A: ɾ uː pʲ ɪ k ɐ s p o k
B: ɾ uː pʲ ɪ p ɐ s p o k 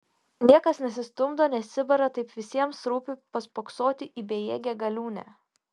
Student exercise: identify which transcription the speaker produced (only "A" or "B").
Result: B